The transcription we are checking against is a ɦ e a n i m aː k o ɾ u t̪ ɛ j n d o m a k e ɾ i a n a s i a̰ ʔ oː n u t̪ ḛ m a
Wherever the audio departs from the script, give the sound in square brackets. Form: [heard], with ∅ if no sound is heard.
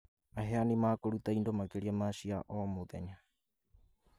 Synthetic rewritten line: a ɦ e a n i m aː k o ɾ u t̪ [a] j n d o m a k e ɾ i a [m] a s i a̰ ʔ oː [m] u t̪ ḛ [ɲ] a